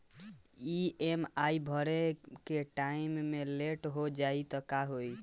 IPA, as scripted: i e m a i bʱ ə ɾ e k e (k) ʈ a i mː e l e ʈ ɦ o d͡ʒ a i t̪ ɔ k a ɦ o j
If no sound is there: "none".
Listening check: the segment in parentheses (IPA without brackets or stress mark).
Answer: none